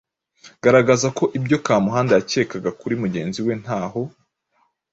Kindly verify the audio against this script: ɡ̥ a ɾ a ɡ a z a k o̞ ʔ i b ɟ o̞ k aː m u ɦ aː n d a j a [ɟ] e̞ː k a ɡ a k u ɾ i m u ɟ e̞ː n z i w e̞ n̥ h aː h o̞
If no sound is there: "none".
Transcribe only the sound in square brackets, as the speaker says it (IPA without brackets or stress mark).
c